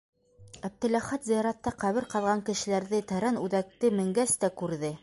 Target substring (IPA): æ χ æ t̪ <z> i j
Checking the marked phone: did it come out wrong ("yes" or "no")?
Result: no